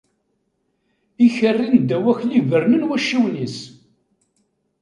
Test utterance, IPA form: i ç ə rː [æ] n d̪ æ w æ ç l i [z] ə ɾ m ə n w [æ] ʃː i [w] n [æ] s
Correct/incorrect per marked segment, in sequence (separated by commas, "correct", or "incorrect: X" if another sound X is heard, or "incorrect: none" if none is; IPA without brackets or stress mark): incorrect: i, incorrect: v, correct, correct, incorrect: i